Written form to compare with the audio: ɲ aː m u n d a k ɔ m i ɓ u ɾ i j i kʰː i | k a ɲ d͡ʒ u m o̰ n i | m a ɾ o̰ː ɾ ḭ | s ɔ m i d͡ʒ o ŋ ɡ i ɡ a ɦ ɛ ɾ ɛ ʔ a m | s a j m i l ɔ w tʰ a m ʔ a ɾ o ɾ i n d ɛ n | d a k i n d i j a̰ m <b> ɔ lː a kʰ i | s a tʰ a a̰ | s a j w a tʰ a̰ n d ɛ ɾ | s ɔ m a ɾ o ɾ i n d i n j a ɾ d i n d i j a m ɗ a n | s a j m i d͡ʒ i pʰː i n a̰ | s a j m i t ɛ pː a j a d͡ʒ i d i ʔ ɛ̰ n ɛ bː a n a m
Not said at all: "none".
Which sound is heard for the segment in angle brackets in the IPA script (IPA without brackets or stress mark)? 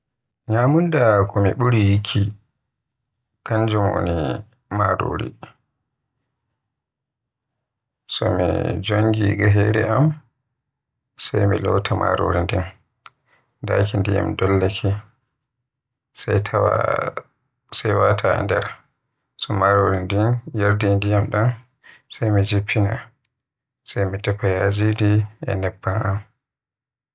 d